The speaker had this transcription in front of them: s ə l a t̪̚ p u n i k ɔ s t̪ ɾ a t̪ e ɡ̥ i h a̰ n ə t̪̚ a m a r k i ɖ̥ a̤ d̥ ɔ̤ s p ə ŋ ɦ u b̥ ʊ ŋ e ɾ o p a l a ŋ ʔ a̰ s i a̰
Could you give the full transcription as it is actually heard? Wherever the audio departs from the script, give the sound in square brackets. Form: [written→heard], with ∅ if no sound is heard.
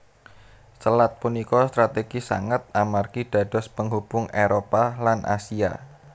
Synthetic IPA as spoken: s ə l a t̪̚ p u n i k ɔ s t̪ ɾ a t̪ e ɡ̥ i [h→s] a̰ [n→ŋ] ə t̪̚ a m a r k i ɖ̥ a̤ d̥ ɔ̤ s p ə ŋ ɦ u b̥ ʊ ŋ e ɾ o p a l a [ŋ→n] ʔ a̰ s i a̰